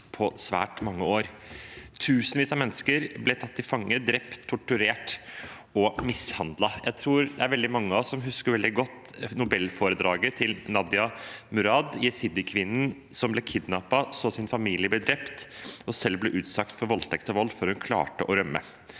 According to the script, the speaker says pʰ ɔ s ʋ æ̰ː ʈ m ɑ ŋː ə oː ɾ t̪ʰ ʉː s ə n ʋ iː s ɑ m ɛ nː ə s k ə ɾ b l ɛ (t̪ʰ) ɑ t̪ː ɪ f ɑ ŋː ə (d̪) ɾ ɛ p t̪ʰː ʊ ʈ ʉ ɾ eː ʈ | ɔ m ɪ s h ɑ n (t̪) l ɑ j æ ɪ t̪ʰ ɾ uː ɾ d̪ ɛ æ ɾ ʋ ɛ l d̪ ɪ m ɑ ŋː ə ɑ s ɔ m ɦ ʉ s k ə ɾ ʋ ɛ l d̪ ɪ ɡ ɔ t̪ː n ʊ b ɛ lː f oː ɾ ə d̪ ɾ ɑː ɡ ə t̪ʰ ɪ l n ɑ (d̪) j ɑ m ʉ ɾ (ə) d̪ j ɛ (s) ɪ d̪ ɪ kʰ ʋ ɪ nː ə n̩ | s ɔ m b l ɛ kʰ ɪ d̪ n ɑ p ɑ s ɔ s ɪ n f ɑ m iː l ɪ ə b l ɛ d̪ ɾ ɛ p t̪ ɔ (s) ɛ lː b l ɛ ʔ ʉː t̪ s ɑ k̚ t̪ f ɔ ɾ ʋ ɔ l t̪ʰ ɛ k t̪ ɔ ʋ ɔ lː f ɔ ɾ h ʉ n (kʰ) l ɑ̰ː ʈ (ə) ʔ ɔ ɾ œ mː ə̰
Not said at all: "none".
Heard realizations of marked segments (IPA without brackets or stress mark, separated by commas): t̪ʰ, d̪, d̪, d̪, ɑ, s, s, kʰ, ə